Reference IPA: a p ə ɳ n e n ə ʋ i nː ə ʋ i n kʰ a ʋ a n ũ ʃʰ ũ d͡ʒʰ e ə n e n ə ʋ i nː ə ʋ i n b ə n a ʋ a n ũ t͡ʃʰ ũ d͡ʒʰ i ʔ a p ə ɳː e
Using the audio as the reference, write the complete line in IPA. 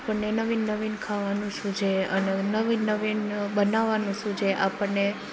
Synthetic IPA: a p ə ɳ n e n ə ʋ i nː ə ʋ i n kʰ a ʋ a n ũ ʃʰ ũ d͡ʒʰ e ə n e n ə ʋ i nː ə ʋ i n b ə n a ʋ a n ũ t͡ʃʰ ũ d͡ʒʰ e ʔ a p ə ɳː e